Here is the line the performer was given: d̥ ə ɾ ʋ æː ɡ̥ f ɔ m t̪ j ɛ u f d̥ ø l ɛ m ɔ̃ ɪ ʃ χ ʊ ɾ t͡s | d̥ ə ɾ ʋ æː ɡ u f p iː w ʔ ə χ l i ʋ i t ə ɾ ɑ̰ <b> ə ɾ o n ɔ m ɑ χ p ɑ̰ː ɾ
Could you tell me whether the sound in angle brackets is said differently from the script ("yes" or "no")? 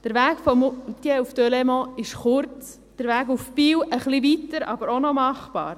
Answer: no